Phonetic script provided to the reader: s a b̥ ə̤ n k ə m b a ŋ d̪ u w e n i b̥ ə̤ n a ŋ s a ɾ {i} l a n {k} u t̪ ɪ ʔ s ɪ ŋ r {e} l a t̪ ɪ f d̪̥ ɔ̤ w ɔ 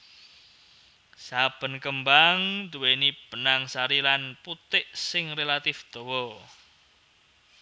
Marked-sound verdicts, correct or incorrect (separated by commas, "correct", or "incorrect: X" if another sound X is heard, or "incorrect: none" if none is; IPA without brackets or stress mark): correct, incorrect: p, correct